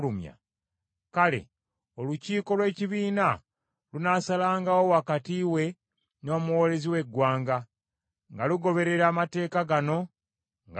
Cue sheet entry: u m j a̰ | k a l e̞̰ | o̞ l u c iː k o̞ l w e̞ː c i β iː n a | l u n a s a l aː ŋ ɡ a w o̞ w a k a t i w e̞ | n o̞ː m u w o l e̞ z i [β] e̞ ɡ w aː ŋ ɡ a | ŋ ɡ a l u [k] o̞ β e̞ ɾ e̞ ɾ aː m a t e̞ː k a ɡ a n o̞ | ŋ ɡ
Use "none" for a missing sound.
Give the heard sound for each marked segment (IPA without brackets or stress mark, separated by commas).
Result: w, ɡ